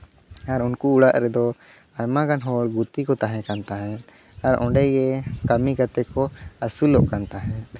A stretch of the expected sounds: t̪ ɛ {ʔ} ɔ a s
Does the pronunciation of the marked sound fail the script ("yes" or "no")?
yes